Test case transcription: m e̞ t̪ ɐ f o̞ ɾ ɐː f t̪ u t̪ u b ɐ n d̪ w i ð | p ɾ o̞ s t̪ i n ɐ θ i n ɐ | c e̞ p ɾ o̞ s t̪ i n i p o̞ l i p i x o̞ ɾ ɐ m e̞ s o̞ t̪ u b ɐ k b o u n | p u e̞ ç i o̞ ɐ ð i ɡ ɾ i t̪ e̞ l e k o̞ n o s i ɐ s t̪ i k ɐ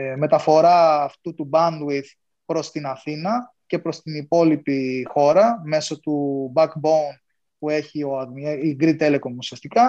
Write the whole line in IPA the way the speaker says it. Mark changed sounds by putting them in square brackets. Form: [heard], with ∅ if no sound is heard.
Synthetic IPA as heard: m e̞ t̪ ɐ f o̞ ɾ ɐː f t̪ u t̪ u b ɐ n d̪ w i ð | p ɾ o̞ s t̪ i n ɐ θ i n ɐ | c e̞ p ɾ o̞ s t̪ i n i p o̞ l i p i x o̞ ɾ ɐ m e̞ s o̞ t̪ u b ɐ k b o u n | p u e̞ ç i o̞ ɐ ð i ɡ ɾ i t̪ e̞ l e k o̞ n [u] s i ɐ s t̪ i k ɐ